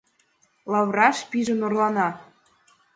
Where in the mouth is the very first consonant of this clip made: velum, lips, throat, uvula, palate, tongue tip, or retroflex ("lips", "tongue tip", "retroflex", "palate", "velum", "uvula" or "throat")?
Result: tongue tip